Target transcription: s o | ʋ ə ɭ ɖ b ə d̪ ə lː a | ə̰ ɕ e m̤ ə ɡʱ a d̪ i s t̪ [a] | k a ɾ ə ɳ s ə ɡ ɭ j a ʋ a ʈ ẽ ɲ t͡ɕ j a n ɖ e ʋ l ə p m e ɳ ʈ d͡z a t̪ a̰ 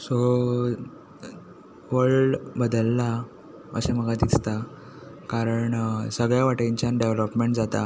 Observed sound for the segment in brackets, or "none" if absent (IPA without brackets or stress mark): a